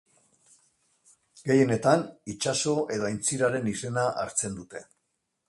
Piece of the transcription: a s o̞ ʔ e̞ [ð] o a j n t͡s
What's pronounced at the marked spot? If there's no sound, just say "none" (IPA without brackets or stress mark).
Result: ð